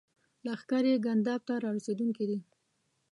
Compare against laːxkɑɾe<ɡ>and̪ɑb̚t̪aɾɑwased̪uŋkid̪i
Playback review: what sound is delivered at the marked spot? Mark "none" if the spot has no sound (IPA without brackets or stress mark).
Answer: ɡ